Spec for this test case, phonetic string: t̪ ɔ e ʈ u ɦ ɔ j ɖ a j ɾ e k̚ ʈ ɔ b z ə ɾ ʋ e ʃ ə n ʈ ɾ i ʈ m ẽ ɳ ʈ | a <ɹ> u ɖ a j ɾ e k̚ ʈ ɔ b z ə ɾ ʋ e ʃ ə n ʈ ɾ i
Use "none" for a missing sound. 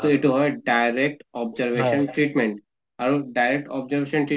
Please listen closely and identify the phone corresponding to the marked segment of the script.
ɾ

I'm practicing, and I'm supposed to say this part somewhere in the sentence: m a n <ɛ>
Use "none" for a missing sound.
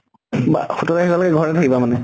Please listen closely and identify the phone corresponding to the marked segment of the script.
ɛ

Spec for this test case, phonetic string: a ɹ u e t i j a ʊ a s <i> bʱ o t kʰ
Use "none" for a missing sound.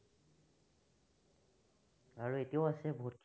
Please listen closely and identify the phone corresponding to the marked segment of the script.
ɛ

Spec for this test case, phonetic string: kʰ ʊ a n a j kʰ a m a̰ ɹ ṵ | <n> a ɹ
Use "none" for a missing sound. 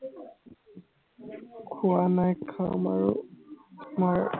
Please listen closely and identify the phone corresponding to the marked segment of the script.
m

